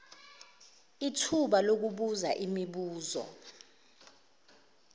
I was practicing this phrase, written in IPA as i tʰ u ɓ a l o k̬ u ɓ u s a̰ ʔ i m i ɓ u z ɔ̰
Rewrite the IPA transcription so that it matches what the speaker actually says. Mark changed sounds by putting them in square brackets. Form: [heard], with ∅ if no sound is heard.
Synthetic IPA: i tʰ u ɓ a l o k̬ u ɓ u [z] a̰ ʔ i m i ɓ [uː] z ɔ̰